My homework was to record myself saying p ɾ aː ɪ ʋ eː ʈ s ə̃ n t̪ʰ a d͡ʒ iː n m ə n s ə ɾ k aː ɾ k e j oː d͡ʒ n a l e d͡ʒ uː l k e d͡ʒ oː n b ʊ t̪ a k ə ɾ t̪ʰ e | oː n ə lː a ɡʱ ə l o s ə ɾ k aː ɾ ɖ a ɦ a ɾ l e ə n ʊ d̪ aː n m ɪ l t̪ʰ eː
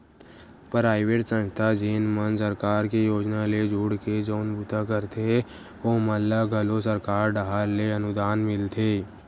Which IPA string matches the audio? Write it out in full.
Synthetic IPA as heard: p ɾ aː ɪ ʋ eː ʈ s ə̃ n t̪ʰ a d͡ʒ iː n m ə n s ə ɾ k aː ɾ k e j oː d͡ʒ n a l e d͡ʒ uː ɽ k e d͡ʒ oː n b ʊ t̪ a k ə ɾ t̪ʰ e | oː m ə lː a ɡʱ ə l o s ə ɾ k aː ɾ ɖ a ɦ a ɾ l e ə n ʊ d̪ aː n m ɪ l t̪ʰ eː